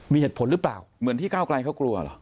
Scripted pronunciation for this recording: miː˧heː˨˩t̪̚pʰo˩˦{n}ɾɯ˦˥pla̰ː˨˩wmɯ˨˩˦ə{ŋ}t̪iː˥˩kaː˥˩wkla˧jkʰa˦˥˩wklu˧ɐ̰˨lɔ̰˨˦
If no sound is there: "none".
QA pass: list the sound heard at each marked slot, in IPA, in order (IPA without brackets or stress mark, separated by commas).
n, n